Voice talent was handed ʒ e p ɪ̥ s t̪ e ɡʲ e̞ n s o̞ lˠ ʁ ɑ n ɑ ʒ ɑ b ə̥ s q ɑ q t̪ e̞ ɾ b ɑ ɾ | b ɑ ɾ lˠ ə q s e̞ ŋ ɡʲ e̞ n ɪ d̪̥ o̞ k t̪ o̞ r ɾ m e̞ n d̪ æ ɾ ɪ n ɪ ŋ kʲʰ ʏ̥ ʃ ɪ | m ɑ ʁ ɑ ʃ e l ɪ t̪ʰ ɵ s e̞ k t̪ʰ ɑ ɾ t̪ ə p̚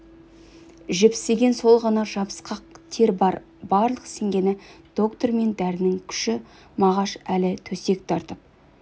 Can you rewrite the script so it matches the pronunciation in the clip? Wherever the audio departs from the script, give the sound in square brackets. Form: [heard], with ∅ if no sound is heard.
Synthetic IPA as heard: ʒ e p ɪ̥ s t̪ e ɡʲ e̞ n s o̞ lˠ ʁ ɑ n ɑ ʒ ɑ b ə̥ s q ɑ q [t̪ʰ] e̞ ɾ b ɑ ɾ | b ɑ ɾ lˠ ə q s e̞ ŋ ɡʲ e̞ n ɪ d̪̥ o̞ k t̪ o̞ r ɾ m e̞ n d̪ æ ɾ ɪ n ɪ ŋ kʲʰ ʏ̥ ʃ ɪ | m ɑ ʁ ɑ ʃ [æ] l ɪ t̪ʰ ɵ s e̞ k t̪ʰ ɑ ɾ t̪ ə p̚